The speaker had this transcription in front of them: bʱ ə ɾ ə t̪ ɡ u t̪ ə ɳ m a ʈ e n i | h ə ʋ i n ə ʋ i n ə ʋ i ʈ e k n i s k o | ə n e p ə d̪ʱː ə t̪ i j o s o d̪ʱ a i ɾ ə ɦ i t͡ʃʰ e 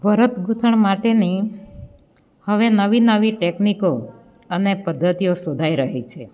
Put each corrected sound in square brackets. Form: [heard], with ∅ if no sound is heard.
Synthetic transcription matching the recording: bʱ ə ɾ ə t̪ ɡ u [t̪ʰ] ə ɳ m a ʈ e n i | h ə ʋ [e] n ə ʋ i n ə ʋ i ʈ e k n i [∅] k o | ə n e p ə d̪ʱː ə t̪ i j o s o d̪ʱ a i ɾ ə ɦ i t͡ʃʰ e